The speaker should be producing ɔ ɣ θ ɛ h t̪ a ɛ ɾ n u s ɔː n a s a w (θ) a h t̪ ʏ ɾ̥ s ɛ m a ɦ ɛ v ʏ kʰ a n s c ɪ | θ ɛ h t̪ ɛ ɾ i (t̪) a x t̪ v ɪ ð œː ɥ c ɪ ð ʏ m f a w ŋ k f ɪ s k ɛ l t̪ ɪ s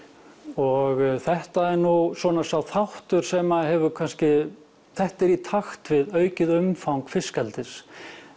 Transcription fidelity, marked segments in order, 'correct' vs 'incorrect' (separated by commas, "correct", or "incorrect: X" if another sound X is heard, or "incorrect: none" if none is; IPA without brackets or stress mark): correct, incorrect: t̪ʰ